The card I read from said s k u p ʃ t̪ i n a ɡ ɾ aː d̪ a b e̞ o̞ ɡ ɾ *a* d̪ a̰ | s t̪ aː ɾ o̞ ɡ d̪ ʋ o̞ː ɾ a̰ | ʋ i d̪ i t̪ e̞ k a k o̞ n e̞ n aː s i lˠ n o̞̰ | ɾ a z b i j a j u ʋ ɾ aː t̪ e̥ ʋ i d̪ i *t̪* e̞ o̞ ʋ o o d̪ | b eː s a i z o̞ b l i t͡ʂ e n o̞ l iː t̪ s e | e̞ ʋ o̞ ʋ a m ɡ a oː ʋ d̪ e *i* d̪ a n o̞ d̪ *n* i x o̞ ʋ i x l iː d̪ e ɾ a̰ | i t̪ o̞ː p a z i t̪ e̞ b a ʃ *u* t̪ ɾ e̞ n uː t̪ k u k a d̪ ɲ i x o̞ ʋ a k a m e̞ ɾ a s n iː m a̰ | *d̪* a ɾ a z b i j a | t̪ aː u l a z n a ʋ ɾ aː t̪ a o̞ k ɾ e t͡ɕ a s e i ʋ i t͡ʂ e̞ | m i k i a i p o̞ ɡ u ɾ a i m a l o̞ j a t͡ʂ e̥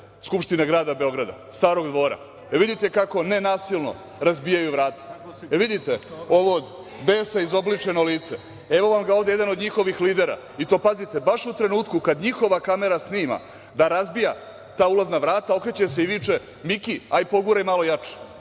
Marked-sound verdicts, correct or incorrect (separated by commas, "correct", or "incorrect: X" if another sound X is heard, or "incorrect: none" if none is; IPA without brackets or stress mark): correct, correct, incorrect: e, incorrect: ɲ, correct, correct